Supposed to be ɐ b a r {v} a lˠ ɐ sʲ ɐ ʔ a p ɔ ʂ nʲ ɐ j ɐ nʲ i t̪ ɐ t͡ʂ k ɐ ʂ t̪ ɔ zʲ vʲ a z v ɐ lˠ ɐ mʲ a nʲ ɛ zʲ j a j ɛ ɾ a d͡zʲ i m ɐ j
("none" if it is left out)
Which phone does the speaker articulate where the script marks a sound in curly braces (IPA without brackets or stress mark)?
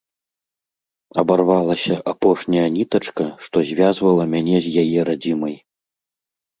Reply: v